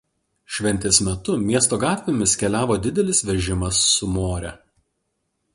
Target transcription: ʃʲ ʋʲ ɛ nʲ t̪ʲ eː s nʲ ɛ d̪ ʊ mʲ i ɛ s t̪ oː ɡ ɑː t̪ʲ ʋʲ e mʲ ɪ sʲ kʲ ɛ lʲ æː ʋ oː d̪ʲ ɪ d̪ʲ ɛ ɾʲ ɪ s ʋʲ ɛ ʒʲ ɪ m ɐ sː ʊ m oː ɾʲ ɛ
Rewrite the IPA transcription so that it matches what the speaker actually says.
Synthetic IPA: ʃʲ ʋʲ ɛ nʲ t̪ʲ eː s mʲ ɛ t̪ ʊ mʲ i ɛ s t̪ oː ɡ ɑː t̪ʲ ʋʲ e mʲ ɪ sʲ kʲ ɛ lʲ æː ʋ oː d̪ʲ ɪ d̪ʲ ɛ lʲ ɪ s ʋʲ ɛ ʒʲ ɪ m ɐ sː ʊ m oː ɾʲ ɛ